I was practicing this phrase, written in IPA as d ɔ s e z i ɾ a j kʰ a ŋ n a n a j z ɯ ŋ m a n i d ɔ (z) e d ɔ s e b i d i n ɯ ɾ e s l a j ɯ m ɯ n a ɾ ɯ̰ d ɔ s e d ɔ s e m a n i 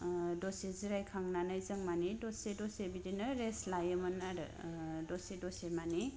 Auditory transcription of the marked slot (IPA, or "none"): s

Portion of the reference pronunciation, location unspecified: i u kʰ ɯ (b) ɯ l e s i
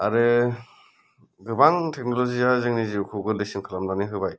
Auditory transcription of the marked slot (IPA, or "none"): ɡ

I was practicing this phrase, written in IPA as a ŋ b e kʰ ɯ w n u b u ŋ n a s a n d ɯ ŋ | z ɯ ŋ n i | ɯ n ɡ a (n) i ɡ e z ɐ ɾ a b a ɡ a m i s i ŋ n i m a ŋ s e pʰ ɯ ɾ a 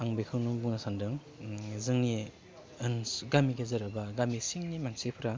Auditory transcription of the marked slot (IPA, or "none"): m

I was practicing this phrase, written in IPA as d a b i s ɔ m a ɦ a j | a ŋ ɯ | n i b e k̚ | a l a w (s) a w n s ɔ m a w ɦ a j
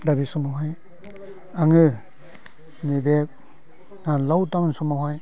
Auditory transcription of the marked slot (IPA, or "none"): t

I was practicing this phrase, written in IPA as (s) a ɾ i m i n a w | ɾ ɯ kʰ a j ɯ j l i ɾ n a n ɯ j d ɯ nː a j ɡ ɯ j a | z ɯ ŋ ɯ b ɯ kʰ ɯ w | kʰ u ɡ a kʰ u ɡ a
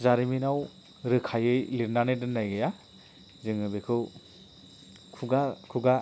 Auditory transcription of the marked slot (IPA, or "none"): z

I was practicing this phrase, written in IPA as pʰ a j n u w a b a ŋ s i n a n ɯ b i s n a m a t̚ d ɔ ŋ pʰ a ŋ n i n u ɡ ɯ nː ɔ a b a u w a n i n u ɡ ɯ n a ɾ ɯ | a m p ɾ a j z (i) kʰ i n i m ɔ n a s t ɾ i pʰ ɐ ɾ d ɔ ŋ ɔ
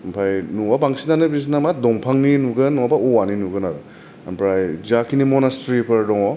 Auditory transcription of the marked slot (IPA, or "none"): a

